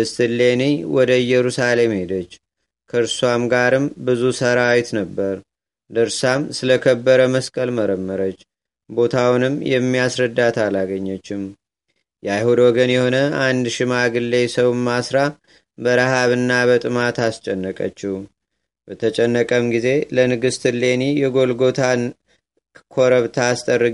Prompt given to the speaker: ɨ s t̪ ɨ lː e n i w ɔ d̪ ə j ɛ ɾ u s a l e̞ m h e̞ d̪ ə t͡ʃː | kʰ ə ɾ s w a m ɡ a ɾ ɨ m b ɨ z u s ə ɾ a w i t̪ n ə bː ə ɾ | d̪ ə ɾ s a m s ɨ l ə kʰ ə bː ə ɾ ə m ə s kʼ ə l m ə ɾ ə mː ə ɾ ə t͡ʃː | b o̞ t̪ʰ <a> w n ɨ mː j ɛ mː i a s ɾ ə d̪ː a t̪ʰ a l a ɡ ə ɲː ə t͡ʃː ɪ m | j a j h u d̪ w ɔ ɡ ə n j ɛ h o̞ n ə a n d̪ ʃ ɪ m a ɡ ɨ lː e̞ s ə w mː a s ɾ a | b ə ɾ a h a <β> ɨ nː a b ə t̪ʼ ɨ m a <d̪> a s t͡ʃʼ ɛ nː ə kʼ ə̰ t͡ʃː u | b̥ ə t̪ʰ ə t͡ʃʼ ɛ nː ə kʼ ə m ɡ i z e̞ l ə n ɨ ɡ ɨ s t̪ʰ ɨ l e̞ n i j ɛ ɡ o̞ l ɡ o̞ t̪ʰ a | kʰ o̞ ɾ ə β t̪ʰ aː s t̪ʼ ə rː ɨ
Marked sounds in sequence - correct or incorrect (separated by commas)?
correct, correct, incorrect